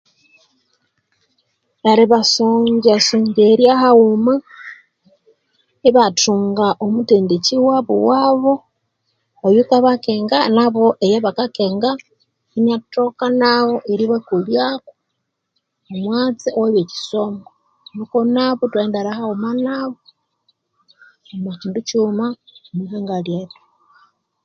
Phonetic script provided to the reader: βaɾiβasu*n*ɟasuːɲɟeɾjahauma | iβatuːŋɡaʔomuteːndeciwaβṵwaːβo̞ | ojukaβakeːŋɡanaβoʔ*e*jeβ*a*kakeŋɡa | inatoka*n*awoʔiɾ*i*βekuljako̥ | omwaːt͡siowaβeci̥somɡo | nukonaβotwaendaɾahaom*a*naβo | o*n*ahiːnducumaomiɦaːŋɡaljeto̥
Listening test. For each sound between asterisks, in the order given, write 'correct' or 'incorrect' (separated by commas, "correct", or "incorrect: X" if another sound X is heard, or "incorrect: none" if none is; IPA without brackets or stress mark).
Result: incorrect: ɲ, correct, correct, correct, correct, correct, incorrect: m